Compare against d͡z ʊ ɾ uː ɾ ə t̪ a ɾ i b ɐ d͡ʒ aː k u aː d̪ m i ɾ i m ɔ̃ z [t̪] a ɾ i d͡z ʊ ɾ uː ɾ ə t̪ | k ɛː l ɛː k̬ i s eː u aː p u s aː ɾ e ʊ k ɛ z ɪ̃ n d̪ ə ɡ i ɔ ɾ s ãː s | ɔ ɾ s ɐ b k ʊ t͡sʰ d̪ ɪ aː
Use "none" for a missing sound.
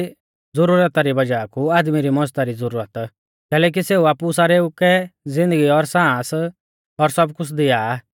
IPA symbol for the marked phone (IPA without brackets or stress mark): t̪